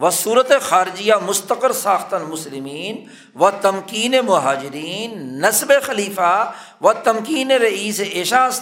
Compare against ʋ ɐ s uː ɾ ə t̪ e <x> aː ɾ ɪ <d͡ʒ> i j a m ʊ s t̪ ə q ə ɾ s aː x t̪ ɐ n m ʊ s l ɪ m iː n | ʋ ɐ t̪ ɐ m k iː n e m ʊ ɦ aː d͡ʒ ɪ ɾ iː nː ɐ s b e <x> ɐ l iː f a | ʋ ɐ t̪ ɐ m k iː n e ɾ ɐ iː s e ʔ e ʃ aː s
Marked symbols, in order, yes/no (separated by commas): yes, yes, yes